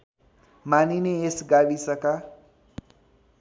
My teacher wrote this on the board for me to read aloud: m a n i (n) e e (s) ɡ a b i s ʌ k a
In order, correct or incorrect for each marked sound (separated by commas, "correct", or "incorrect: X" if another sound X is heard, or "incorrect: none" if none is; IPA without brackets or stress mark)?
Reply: correct, correct